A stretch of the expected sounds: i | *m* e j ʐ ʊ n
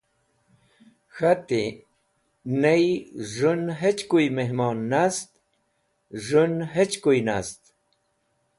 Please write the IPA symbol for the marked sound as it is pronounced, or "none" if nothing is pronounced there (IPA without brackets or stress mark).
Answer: n